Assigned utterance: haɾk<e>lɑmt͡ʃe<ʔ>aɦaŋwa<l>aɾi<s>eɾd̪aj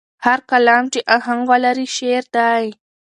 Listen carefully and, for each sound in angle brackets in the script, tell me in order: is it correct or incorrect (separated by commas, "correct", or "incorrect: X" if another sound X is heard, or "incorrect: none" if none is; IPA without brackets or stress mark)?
incorrect: a, correct, correct, incorrect: ʃ